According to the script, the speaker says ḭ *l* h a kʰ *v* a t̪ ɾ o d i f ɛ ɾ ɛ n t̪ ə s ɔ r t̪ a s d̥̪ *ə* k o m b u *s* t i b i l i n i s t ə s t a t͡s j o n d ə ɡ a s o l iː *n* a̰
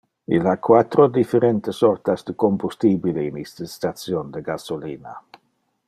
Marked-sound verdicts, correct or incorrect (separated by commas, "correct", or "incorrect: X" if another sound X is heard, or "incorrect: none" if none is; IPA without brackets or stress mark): correct, incorrect: w, correct, correct, correct